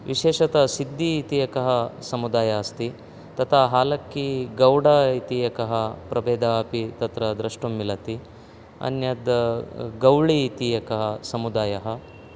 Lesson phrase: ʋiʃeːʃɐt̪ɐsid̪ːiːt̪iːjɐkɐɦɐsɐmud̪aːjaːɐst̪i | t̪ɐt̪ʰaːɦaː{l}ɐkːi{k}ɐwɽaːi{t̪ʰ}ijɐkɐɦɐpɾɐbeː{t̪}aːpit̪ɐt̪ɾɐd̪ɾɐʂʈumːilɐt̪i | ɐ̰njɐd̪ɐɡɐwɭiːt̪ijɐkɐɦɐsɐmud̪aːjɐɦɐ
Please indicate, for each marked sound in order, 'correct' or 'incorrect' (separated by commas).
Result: correct, incorrect, incorrect, incorrect